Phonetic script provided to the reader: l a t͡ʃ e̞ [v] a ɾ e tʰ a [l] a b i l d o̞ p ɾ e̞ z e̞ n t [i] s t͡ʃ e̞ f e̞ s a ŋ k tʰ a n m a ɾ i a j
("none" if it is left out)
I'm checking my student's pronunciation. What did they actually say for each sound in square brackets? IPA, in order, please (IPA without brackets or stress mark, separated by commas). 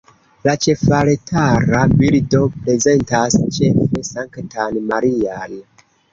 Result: f, ɾ, a